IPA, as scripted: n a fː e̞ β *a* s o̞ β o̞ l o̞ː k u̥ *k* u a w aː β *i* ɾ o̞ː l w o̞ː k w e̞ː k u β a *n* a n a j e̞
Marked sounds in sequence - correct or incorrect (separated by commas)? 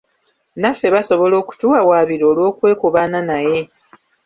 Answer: correct, incorrect, correct, correct